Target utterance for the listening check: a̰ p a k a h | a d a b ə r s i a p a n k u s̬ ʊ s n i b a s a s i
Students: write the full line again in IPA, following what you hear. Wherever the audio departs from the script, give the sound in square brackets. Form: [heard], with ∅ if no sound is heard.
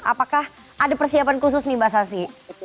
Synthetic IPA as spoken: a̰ p a k a h | a d a [p] ə r s i a p a n k u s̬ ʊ s n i b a s a s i